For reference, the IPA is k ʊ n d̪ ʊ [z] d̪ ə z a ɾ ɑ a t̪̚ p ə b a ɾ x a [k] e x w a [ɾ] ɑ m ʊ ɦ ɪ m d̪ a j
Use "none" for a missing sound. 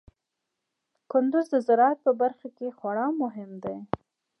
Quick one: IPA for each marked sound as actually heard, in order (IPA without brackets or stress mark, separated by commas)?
z, k, ɽ